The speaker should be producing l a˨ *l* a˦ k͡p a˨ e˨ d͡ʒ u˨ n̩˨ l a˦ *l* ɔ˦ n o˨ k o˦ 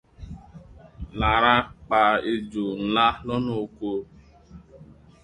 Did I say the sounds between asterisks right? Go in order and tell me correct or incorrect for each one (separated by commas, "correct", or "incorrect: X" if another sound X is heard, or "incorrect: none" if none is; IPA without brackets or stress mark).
incorrect: ɾ, correct